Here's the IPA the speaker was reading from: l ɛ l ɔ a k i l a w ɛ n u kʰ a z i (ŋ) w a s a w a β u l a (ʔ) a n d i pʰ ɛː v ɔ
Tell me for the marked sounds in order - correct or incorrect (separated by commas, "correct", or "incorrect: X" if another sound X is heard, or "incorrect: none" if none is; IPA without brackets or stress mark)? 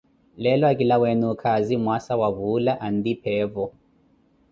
incorrect: m, correct